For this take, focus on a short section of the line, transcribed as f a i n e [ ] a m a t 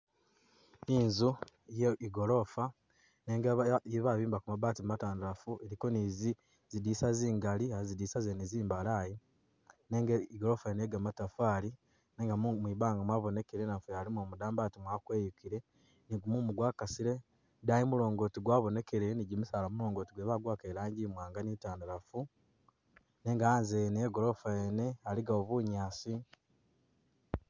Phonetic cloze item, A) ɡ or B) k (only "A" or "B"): A